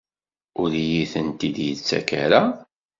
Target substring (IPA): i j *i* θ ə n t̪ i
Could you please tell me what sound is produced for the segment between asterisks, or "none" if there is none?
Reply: i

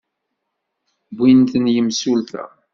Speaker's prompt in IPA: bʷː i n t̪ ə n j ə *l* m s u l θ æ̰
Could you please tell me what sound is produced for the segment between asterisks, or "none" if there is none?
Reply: none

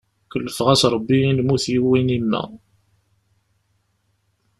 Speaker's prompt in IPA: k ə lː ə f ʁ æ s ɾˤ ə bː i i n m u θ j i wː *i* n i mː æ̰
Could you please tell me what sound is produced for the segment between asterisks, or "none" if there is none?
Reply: i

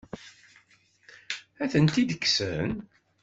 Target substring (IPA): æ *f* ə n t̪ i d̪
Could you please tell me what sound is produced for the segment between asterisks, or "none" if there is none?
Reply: θ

